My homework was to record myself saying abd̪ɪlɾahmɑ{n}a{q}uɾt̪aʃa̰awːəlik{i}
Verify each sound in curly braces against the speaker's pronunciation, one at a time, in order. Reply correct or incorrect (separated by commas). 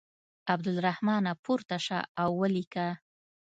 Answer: correct, incorrect, incorrect